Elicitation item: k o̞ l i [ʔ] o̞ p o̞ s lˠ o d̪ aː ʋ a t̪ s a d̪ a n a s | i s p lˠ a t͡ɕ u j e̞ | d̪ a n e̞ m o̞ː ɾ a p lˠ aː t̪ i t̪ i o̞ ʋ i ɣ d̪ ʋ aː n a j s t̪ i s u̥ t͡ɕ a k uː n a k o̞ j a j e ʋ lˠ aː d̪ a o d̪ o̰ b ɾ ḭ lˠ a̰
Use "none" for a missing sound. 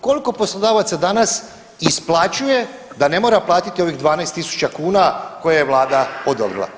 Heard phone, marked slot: k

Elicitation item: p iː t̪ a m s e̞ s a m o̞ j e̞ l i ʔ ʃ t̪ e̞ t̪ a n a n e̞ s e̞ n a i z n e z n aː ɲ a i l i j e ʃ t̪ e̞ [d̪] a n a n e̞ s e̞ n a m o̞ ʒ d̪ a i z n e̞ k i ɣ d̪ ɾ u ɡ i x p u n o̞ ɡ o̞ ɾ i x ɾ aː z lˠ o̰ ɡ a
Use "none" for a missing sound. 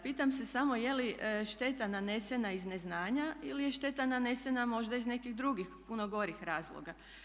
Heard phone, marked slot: t̪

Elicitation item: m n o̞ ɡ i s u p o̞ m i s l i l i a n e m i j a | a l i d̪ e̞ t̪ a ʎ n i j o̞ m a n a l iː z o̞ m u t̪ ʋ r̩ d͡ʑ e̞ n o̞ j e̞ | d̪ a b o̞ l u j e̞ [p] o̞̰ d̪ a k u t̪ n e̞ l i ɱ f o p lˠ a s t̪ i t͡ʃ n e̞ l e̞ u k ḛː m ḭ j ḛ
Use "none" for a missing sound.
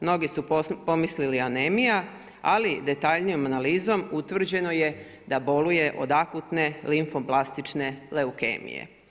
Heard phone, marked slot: ʔ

